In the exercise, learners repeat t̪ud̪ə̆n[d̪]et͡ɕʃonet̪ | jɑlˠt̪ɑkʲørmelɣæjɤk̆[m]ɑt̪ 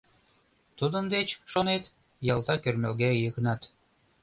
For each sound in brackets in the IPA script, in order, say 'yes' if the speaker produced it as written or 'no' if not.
yes, no

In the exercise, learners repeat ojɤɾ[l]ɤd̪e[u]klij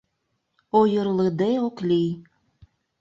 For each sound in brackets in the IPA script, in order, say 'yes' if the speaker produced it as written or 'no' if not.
yes, no

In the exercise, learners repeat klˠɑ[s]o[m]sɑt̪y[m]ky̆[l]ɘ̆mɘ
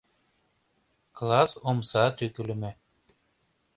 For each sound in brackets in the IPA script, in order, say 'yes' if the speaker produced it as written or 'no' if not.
yes, yes, no, yes

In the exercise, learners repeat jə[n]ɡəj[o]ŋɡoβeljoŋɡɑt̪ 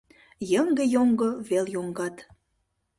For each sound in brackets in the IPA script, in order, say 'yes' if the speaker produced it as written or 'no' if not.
no, yes

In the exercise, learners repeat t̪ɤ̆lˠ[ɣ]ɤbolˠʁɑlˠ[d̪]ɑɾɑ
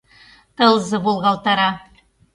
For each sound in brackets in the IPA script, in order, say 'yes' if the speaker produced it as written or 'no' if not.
no, no

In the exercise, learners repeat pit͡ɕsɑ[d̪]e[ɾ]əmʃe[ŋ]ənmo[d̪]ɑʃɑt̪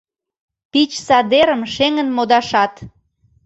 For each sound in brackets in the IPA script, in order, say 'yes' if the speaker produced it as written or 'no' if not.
yes, yes, yes, yes

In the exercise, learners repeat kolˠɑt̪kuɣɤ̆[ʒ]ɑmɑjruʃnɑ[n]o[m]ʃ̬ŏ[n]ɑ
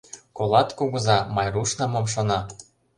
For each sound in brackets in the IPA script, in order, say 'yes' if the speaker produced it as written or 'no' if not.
no, no, yes, yes

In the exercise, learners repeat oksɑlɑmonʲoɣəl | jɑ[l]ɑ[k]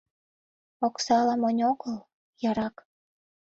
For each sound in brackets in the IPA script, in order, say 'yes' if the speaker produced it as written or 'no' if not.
no, yes

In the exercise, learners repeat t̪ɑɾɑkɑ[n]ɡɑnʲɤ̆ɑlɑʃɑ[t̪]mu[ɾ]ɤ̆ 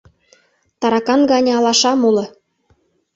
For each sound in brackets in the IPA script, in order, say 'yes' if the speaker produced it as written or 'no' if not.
yes, no, no

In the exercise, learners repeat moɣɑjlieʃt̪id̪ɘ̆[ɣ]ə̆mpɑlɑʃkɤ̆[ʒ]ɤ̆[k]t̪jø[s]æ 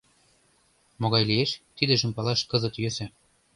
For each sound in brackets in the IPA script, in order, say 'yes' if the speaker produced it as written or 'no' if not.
no, no, no, yes

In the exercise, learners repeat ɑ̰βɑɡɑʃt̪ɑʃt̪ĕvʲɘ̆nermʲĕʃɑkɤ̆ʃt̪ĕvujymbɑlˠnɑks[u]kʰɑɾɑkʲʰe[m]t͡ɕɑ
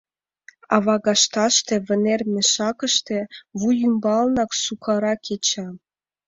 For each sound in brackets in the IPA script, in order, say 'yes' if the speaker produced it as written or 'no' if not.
yes, no

